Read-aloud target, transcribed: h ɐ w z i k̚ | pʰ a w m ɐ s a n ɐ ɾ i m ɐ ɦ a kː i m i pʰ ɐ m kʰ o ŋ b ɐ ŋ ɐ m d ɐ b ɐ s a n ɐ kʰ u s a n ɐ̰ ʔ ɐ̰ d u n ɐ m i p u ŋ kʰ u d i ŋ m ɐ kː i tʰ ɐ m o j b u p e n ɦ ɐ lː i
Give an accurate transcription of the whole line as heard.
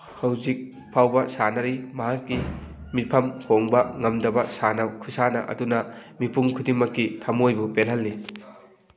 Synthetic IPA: h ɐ w z i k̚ | pʰ a w b ɐ s a n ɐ ɾ i m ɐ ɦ a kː i m i pʰ ɐ m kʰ o ŋ b ɐ ŋ ɐ m d ɐ b ɐ s a n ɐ kʰ u s a n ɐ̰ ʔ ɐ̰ d u n ɐ m i p u ŋ kʰ u d i ŋ m ɐ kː i tʰ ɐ m o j b u p e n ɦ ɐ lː i

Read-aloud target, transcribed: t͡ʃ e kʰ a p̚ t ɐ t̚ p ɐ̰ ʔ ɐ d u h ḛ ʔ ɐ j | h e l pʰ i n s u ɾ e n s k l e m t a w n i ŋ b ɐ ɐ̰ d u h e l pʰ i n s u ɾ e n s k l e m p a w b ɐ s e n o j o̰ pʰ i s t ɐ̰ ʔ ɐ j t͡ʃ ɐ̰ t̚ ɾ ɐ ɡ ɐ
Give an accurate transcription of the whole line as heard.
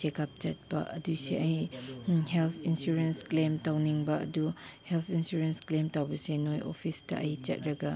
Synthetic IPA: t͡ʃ e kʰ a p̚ t͡ʃ ɐ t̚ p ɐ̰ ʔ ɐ d u s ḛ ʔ ɐ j | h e l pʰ i n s u ɾ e n s k l e m t a w n i ŋ b ɐ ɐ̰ d u h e l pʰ i n s u ɾ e n s k l e m t a w b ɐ s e n o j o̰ pʰ i s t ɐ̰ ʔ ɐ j t͡ʃ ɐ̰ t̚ ɾ ɐ ɡ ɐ

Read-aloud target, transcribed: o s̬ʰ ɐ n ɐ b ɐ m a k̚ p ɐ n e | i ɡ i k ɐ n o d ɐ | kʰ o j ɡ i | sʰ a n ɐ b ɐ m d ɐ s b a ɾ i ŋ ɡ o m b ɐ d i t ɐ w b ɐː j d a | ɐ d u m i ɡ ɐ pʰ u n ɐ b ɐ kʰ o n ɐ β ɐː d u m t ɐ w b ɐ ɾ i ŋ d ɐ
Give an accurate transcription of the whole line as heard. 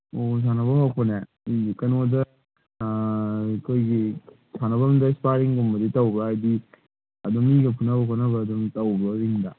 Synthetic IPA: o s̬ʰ a n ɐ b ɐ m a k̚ p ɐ n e | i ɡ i k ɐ n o d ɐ | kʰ o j ɡ i | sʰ a n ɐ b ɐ m d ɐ s p a ɾ i ŋ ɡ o m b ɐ d i t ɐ w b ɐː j d i | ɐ d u m i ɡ ɐ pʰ u n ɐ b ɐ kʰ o n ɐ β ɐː d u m t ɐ w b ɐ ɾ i ŋ d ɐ

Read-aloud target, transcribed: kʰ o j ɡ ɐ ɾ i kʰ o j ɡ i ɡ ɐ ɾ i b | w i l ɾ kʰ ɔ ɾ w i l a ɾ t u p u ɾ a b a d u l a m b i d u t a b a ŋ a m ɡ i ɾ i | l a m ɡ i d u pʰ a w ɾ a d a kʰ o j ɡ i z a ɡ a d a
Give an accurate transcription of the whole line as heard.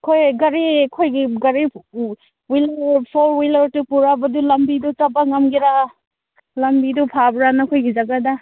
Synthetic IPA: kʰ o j ɡ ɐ ɾ i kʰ o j ɡ i ɡ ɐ ɾ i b | w i l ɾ pʰ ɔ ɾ w i l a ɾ t u p u ɾ a b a d u l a m b i d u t a b a ŋ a m ɡ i ɾ a | l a m b i d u pʰ a b ɾ a n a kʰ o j ɡ i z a ɡ a d a

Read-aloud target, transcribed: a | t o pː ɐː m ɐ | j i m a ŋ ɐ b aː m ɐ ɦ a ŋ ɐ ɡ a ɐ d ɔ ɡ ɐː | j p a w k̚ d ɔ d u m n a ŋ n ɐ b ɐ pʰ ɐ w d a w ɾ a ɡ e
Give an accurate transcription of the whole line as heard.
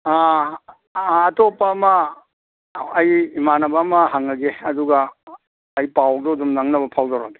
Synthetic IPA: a | t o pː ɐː m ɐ | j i m a n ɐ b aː m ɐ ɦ a ŋ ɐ ɡ e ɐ d u ɡ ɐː | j p a w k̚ d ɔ d u m n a ŋ n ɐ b ɐ pʰ a w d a w ɾ a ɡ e

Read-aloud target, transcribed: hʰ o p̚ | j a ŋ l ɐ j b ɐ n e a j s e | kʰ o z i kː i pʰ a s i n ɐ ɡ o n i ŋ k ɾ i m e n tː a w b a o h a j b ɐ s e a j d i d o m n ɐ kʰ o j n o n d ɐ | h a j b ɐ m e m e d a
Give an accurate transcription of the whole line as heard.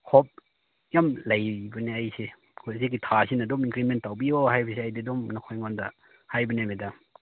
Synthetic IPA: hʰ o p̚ | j a m l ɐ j b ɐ n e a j s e | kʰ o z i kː i tʰ a s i n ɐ d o m i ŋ k ɾ i m e n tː a w b i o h a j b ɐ s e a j d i d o m n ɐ kʰ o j ŋ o n d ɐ | h a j b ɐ n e m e d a

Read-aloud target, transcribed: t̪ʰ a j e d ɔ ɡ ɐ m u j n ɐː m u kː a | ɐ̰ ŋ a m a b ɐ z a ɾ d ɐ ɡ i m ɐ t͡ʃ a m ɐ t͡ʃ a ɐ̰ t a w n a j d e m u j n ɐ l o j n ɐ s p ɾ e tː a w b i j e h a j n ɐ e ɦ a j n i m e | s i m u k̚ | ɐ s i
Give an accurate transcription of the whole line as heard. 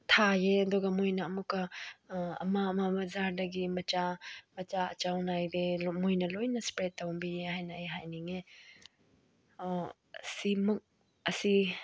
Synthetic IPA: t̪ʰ a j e d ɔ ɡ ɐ m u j n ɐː m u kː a | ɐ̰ m a m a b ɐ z a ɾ d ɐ ɡ i m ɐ t͡ʃ a m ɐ t͡ʃ a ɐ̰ t͡ʃ a w n a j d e m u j n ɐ l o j n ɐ s p ɾ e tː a w b i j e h a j n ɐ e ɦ a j n i ŋ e | s i m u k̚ | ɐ s i

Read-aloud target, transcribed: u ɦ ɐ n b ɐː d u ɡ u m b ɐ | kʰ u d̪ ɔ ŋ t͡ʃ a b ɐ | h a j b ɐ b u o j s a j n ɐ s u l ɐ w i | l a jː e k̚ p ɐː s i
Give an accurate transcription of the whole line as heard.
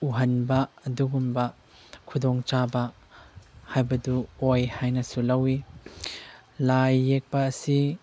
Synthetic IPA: u ɦ ɐ n b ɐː d u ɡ u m b ɐ | kʰ u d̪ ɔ ŋ t͡ʃ a b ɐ | h a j b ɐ d u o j h a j n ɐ s u l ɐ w i | l a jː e k̚ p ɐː s i

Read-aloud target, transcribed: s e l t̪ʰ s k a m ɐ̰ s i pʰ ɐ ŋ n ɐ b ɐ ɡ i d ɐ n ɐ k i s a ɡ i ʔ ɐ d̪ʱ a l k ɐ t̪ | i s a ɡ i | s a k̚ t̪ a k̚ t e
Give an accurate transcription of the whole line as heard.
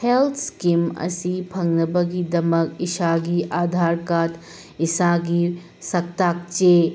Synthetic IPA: h e l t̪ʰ s k i m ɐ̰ s i pʰ ɐ ŋ n ɐ b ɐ ɡ i d ɐ m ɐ k i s a ɡ i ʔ a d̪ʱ a ɾ k a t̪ | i s a ɡ i | s ɐ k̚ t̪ a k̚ t͡ʃ e

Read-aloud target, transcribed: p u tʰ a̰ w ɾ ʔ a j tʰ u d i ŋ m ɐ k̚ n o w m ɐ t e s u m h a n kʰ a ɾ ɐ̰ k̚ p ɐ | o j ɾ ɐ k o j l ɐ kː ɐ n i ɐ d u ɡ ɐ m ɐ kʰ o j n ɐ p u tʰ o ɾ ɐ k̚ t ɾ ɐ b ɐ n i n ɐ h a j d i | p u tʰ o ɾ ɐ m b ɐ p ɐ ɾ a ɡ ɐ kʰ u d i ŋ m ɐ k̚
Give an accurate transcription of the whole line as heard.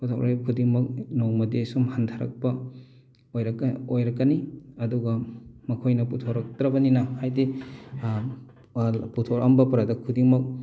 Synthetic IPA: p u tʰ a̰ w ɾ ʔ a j kʰ u d i ŋ m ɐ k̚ n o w m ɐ d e s u m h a n tʰ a ɾ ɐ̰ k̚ p ɐ | o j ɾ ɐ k o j ɾ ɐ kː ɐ n i ɐ d u ɡ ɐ m ɐ kʰ o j n ɐ p u tʰ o ɾ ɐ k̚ t ɾ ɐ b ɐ n i n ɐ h a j d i | p u tʰ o ɾ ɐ m b ɐ p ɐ ɾ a d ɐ kʰ u d i ŋ m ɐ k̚

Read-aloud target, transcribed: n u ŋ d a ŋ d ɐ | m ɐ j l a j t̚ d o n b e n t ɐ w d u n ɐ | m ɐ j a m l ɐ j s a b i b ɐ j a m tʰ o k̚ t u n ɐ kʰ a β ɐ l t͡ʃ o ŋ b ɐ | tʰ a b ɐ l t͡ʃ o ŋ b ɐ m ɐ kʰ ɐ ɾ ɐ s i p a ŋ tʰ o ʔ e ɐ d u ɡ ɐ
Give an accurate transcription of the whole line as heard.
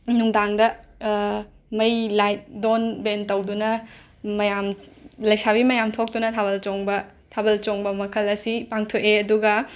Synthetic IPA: n u ŋ d a ŋ d ɐ | m ɐ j l a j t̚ d o n b e n t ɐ w d u n ɐ | m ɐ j a m l ɐ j s a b i m ɐ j a m tʰ o k̚ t u n ɐ tʰ a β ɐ l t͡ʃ o ŋ b ɐ | tʰ a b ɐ l t͡ʃ o ŋ b ɐ m ɐ kʰ ɐ l ɐ s i p a ŋ tʰ o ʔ e ɐ d u ɡ ɐ

